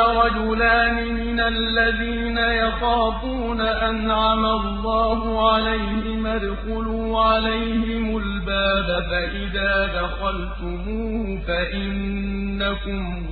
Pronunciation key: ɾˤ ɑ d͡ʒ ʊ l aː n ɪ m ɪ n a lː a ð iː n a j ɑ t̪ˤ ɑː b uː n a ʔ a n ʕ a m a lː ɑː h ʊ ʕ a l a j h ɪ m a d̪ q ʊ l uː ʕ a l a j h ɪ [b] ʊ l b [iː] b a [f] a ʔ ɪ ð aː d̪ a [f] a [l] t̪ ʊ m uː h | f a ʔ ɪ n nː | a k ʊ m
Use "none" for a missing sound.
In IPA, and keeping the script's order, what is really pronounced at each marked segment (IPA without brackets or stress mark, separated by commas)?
m, aː, f, x, l